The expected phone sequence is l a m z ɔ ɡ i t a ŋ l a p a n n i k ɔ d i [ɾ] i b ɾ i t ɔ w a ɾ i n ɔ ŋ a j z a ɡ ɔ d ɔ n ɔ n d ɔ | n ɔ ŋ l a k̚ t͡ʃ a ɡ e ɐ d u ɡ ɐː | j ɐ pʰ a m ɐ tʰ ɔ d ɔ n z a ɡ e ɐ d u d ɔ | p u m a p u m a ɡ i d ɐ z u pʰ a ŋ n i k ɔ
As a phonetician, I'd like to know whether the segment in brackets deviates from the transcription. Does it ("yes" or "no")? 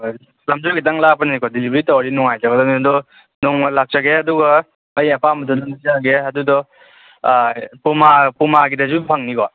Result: yes